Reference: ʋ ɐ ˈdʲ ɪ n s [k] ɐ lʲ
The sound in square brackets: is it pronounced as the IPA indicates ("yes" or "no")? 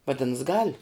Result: no